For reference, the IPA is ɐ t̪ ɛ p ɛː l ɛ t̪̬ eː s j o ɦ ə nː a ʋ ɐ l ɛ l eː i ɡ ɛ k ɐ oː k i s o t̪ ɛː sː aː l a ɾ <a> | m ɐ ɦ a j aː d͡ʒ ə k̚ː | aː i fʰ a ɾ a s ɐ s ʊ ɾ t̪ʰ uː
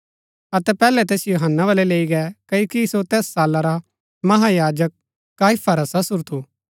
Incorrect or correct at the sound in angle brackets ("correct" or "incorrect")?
correct